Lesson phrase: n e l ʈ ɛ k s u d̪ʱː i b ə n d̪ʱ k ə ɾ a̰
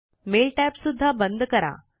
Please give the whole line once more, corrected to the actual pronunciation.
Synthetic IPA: m e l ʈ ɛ p s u d̪ʱː a b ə n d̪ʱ k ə ɾ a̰